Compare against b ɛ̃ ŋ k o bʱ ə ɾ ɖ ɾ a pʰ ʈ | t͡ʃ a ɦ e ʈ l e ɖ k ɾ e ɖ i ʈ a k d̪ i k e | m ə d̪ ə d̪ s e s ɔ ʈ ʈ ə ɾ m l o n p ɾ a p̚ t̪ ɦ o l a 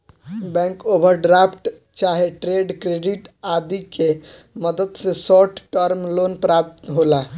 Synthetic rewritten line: b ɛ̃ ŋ k o bʱ ə ɾ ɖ ɾ a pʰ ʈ | t͡ʃ a ɦ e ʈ ɾ e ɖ k ɾ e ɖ i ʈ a d̪ i k e | m ə d̪ ə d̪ s e s ɔ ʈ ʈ ə ɾ m l o n p ɾ a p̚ t̪ ɦ o l a